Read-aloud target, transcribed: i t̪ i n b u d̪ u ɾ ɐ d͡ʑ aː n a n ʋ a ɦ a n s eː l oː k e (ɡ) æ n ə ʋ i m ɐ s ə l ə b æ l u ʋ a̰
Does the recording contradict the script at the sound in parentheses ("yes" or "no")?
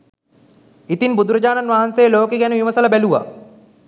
no